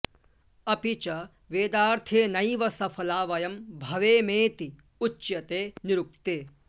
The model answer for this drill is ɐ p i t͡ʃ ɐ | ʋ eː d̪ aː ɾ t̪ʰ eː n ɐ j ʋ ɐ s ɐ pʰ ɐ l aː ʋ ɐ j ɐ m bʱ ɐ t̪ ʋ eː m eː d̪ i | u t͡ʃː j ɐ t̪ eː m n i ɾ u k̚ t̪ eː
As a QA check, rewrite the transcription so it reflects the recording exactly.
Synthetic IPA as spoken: ɐ p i t͡ʃ ɐ | ʋ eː d̪ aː ɾ t̪ʰ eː n ɐ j ʋ ɐ s ɐ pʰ ɐ l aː ʋ ɐ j ɐ m bʱ ɐ ʋ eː m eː t̪ i | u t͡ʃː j ɐ t̪ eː n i ɾ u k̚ t̪ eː